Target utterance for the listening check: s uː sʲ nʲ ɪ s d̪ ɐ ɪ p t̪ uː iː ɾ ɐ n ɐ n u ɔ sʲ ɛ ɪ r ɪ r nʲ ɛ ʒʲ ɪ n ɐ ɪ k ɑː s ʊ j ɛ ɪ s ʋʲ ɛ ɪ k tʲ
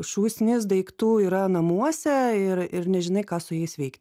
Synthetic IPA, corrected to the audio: ʃ uː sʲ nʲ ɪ s d̪ ɐ ɪ k t̪ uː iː ɾ ɐ n ɐ m u ɔ sʲ ɛ ɪ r ɪ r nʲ ɛ ʒʲ ɪ n ɐ ɪ k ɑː s ʊ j ɛ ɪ s ʋʲ ɛ ɪ k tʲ